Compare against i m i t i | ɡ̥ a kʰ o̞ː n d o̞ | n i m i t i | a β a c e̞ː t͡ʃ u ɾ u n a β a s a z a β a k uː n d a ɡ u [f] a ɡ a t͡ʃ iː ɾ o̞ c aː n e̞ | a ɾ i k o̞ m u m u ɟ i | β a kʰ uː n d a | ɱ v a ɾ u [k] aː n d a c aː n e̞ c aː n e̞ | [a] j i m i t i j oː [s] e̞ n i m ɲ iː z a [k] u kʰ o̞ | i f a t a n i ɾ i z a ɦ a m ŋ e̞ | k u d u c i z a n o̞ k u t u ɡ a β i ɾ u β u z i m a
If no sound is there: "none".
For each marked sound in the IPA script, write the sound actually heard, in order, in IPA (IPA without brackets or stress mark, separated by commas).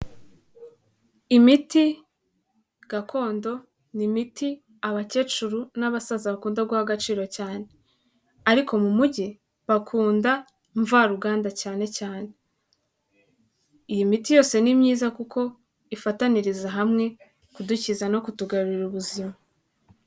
h, ɡ, i, s, k